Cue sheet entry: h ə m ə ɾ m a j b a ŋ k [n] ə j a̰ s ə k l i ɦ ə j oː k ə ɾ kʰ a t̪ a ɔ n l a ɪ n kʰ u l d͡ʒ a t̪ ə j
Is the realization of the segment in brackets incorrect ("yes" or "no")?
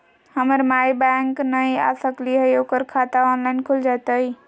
no